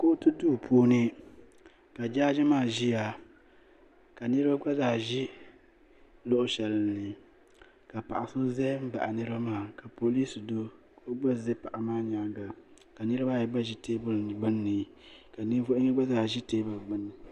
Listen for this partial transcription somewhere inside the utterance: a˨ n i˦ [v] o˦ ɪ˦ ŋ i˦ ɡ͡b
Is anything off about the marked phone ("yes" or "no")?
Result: no